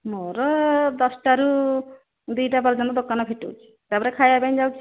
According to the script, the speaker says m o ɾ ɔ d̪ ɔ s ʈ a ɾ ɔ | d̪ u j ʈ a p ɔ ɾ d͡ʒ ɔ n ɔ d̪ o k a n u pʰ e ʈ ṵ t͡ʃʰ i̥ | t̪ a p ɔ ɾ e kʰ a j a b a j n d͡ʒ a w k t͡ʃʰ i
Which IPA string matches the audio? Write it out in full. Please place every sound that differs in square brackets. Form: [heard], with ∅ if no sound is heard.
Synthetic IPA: m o ɾ ɔ d̪ ɔ s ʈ a ɾ [u] | d̪ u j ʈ a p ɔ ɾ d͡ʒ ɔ n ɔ d̪ o k a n [ɔ] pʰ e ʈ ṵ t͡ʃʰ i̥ | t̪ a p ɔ ɾ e kʰ a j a b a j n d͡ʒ a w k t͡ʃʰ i